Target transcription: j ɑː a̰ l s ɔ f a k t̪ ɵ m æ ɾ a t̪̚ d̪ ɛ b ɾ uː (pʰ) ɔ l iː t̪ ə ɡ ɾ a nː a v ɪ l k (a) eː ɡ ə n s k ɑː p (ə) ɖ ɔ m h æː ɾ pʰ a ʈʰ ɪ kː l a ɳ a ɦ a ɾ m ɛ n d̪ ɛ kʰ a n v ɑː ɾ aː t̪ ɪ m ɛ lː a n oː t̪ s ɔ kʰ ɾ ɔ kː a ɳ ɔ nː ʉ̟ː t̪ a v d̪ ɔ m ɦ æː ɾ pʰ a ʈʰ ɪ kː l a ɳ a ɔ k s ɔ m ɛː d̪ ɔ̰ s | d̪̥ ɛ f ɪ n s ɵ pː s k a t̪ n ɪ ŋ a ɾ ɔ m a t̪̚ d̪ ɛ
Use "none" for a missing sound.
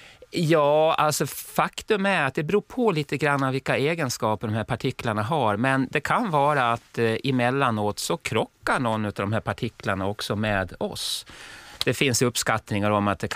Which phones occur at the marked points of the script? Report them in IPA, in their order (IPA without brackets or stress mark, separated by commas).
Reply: pʰ, a, ə